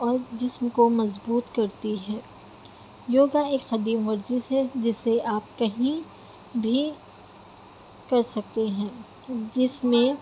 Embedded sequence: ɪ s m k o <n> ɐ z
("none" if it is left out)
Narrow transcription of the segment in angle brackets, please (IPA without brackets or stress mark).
m